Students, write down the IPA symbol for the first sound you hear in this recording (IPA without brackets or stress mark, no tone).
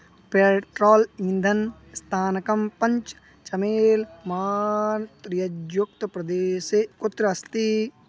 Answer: p